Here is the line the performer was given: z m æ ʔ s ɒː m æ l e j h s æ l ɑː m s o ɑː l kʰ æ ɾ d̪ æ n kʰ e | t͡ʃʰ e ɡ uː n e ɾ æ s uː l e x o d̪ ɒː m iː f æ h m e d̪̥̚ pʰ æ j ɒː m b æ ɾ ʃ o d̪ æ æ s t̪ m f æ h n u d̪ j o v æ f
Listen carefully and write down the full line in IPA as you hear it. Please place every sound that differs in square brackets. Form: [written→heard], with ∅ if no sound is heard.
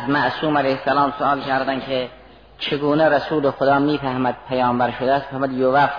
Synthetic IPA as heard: z m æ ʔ s [ɒː→uː] m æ l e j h s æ l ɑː m s o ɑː l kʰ æ ɾ d̪ æ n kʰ e | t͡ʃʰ e ɡ uː n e ɾ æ s uː l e x o d̪ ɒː m iː f æ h m [e→æ] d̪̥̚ pʰ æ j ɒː m b æ ɾ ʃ o d̪ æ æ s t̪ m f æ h [n→m] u d̪ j o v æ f